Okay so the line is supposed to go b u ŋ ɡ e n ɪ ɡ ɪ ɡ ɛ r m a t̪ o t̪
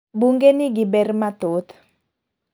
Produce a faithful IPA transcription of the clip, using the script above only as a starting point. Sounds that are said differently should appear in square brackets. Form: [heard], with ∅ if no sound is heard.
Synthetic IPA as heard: b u ŋ ɡ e n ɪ ɡ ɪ [b] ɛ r m a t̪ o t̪